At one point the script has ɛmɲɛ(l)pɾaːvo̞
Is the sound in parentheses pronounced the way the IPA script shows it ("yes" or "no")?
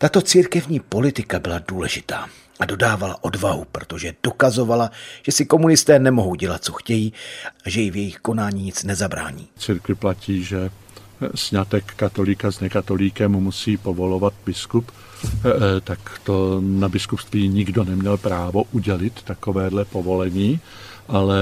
yes